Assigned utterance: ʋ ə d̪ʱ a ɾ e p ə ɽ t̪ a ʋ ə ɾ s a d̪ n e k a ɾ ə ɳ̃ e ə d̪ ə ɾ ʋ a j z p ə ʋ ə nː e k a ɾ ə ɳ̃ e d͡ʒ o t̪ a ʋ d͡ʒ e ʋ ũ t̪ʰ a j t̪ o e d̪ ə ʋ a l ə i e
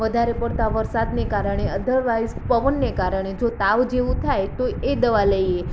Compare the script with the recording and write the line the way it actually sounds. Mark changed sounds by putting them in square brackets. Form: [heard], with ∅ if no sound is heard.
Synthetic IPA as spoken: ʋ ə d̪ʱ a ɾ e p ə ɽ t̪ a ʋ ə ɾ s a d̪ n e k a ɾ ə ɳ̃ e ə d̪ ə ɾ ʋ a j z p ə ʋ ə nː e k a ɾ ə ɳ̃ e d͡ʒ o t̪ a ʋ d͡ʒ e ʋ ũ t̪ʰ a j t̪ o e d̪ ə ʋ a l ə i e